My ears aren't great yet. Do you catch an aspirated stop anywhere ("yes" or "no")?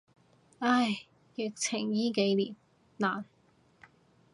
yes